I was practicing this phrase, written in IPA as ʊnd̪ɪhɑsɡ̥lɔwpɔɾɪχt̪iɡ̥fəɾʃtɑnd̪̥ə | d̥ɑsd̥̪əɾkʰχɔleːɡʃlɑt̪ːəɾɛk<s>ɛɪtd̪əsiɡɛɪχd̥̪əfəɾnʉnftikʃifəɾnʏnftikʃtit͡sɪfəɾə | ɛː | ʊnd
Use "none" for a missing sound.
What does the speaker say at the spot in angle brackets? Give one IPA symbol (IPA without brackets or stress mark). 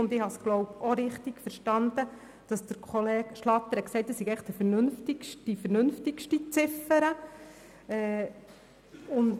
s